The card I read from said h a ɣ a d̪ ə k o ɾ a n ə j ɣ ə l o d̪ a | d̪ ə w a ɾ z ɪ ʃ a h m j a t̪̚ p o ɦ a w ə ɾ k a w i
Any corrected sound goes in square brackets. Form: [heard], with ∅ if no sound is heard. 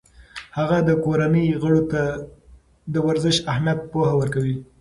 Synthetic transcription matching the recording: h a ɣ a d̪ ə k o ɾ a n ə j ɣ ə [ɽ] o [t̪] a | d̪ ə w a ɾ z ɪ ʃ a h m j a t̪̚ p o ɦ a w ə ɾ k a w i